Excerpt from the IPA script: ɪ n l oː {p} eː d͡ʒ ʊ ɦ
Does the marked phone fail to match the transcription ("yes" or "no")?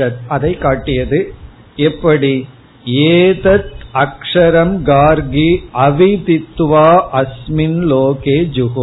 yes